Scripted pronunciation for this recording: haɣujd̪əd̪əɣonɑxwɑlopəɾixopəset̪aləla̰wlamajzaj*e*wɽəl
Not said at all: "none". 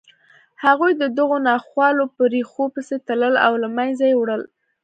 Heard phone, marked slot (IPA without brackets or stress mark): e